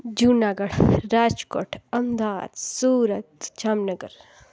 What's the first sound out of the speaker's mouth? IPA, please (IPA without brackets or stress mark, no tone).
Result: d͡ʒ